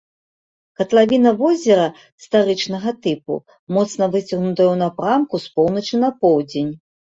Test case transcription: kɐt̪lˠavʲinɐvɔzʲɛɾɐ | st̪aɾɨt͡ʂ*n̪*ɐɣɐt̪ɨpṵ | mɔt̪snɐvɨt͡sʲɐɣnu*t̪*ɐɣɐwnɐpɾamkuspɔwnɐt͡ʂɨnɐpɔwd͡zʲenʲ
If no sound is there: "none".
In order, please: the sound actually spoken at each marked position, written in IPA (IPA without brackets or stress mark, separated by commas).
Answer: n̪, t̪